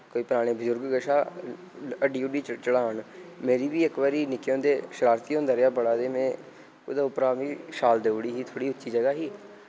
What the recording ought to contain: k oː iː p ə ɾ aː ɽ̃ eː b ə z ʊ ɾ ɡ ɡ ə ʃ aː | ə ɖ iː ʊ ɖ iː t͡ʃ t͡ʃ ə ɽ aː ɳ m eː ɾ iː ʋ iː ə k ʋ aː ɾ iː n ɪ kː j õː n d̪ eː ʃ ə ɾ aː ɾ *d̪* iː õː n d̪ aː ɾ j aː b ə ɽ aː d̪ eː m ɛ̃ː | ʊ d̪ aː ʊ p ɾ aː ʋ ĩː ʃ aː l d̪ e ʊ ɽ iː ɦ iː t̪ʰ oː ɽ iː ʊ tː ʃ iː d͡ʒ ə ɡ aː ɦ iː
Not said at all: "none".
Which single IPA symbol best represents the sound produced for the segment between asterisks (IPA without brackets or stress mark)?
t̪